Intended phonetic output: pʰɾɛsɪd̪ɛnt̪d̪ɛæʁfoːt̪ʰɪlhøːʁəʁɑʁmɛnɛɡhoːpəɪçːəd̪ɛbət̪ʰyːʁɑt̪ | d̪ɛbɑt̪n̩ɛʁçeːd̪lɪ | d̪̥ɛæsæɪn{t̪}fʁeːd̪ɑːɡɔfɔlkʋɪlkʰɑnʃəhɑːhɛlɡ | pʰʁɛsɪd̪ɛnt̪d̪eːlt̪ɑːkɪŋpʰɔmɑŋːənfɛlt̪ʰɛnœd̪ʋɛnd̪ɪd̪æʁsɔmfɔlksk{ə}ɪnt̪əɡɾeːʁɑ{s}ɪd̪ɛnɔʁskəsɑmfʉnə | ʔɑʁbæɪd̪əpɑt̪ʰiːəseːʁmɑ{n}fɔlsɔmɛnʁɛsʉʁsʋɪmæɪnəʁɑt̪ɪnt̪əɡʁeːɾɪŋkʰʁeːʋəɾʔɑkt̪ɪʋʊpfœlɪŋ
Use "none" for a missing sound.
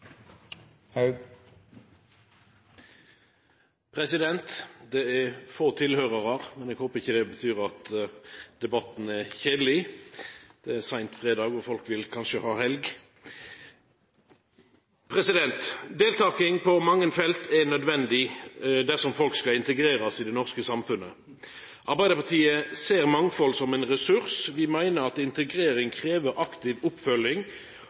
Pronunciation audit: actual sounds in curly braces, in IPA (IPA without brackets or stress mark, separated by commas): t̪, ɑ, s, ŋ